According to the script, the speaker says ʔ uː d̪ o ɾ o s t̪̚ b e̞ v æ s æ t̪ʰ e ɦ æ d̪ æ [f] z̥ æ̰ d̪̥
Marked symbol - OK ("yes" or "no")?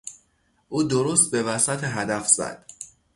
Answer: yes